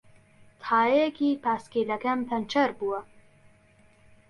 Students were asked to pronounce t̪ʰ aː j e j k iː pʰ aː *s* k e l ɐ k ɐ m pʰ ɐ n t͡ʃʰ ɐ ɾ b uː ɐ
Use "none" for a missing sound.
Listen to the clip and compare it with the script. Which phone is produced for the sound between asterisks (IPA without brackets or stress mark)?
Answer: s